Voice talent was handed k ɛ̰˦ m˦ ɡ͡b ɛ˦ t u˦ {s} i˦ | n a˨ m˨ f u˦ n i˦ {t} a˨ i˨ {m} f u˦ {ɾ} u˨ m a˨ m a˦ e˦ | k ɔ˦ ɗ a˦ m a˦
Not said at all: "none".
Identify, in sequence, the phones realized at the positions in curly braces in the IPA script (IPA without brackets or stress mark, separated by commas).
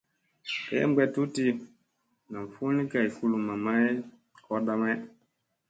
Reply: t, k, none, l